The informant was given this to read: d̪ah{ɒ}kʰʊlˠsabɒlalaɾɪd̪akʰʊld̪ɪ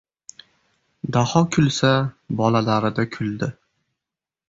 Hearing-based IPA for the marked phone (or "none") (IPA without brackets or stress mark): ɒ